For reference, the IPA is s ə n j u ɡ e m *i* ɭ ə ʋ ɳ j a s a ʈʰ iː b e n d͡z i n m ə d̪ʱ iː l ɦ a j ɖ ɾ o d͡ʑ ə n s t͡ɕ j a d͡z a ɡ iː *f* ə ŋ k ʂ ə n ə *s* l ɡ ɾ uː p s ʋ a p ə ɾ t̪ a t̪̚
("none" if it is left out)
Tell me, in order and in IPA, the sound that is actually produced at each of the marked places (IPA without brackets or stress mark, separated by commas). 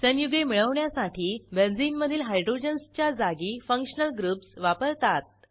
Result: i, f, none